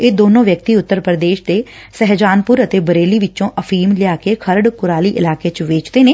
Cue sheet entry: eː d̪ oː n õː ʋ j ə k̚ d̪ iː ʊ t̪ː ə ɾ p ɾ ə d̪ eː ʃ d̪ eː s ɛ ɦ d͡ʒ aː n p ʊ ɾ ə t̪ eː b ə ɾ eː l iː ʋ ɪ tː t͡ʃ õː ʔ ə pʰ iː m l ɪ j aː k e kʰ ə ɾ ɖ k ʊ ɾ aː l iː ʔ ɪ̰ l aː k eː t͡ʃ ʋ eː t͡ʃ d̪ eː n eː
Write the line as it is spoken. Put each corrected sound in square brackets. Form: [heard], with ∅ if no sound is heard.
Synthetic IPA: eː d̪ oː n õː ʋ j ə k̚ [t̪] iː ʊ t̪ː ə ɾ p ɾ ə d̪ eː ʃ d̪ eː s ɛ ɦ d͡ʒ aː n p ʊ ɾ ə t̪ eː b ə ɾ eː l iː ʋ ɪ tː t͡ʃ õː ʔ ə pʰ iː m l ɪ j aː k e kʰ ə ɾ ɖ k ʊ ɾ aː l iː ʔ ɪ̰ l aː k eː t͡ʃ ʋ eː t͡ʃ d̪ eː n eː